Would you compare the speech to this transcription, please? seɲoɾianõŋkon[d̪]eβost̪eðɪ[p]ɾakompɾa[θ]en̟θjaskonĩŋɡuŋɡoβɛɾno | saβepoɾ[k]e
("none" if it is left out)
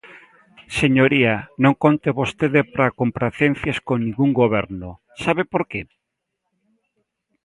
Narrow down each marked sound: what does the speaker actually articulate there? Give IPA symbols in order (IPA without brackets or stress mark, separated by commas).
t̪, p, θ, k